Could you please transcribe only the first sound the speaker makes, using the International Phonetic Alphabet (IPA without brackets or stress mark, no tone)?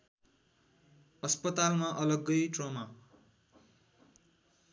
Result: ʌ